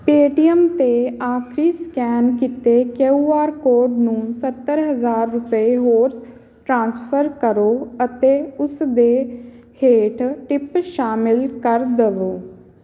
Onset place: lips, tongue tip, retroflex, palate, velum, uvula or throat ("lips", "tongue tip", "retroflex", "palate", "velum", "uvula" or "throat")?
lips